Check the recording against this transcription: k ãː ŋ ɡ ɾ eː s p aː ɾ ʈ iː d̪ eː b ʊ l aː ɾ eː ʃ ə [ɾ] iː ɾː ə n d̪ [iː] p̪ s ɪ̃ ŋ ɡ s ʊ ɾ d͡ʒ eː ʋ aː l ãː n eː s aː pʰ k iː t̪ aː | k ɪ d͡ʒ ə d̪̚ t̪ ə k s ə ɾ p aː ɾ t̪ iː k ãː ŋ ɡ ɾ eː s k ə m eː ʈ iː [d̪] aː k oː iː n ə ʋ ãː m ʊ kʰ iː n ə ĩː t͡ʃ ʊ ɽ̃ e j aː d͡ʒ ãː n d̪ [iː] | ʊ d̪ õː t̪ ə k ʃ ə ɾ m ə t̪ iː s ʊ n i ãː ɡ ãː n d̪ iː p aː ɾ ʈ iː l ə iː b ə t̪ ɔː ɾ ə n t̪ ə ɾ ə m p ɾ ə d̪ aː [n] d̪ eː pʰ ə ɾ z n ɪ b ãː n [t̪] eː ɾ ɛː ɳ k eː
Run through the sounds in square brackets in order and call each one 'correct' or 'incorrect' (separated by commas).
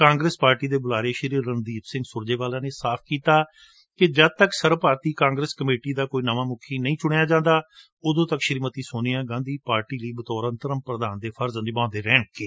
correct, correct, correct, incorrect, correct, incorrect